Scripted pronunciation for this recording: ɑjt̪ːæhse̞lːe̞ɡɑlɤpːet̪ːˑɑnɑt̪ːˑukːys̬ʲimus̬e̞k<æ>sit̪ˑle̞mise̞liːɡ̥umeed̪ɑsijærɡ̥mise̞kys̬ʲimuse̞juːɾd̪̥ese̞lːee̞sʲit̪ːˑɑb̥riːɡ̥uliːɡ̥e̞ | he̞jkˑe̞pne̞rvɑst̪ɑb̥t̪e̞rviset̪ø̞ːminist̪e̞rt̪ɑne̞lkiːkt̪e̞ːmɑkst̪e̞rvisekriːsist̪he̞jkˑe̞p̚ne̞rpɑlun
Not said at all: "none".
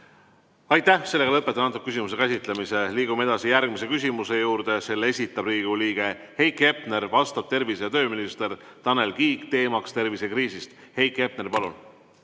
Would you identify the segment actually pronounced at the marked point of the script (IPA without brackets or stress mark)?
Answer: æ